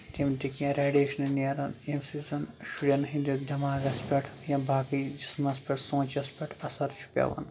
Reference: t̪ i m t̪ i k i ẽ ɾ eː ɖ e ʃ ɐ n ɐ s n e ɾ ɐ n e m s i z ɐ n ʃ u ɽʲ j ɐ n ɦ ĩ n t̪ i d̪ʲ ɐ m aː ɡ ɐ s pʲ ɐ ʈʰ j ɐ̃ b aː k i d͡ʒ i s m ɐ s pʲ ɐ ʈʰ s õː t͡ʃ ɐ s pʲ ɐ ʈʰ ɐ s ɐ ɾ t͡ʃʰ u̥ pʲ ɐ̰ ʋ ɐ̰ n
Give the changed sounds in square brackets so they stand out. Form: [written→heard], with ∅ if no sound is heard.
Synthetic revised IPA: t̪ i m t̪ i k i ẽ ɾ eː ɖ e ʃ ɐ n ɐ [s→∅] n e ɾ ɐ n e m s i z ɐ n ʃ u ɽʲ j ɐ n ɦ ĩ n [t̪→d̪] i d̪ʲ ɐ m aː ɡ ɐ s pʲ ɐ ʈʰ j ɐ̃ b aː k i d͡ʒ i s m ɐ s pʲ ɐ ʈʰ s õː t͡ʃ ɐ s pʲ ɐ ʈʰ ɐ s ɐ ɾ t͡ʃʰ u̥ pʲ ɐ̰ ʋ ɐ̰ n